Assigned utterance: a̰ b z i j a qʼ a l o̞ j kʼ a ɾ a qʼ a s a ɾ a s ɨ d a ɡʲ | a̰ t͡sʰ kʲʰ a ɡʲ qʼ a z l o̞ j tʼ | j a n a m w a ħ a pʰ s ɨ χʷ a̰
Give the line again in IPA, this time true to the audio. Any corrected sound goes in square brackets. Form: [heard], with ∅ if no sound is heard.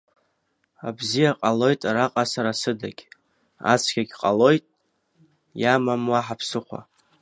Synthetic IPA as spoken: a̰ b z i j a qʼ a l o̞ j [tʼ] a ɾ a qʼ a s a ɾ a s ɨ d a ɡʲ | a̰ t͡sʰ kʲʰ a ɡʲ qʼ a [∅] l o̞ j tʼ | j a [m] a m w a ħ a pʰ s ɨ χʷ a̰